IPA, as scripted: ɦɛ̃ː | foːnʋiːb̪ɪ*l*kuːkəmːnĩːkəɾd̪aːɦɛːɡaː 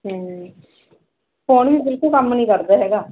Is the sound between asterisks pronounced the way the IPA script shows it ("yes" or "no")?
yes